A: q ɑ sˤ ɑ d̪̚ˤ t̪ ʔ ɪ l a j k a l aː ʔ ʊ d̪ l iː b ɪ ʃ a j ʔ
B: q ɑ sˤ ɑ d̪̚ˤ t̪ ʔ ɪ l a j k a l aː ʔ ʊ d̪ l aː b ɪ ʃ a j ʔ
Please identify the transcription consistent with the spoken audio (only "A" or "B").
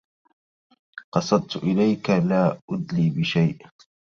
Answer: A